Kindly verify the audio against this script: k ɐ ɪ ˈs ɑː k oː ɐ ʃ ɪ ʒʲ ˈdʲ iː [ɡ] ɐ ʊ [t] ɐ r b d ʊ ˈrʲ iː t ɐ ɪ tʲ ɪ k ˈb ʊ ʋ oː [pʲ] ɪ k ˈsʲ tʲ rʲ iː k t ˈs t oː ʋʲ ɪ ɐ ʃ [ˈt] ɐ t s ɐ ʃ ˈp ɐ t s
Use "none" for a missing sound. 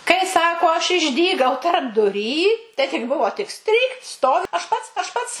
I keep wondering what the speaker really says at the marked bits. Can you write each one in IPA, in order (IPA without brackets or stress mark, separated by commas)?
ɡ, t, tʲ, p